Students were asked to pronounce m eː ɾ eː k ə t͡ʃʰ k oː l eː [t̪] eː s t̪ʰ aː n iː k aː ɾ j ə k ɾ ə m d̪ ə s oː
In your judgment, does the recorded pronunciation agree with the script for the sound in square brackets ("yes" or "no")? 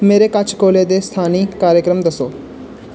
no